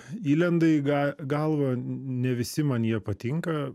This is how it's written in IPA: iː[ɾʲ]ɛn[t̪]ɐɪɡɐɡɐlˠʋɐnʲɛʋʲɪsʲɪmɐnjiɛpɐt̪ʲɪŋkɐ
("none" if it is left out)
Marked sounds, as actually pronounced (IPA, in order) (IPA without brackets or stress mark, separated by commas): lʲ, d̪